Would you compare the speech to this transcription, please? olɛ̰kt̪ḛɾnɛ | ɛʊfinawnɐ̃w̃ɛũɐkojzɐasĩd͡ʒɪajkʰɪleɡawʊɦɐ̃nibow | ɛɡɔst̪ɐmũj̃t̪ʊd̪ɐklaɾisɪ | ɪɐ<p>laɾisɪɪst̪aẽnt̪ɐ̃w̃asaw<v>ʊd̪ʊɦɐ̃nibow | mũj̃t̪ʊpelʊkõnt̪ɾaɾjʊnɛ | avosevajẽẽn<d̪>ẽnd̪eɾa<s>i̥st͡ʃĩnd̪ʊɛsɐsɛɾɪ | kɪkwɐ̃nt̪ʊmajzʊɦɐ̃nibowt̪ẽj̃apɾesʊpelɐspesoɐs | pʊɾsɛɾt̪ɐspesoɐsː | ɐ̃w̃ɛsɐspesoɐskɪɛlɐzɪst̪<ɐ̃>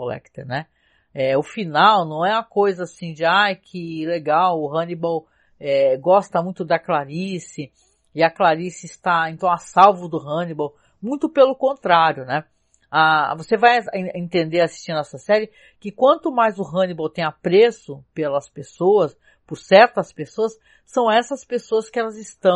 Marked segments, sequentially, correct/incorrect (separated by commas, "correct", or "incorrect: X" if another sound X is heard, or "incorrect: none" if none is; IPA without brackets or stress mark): incorrect: k, correct, incorrect: t̪, correct, correct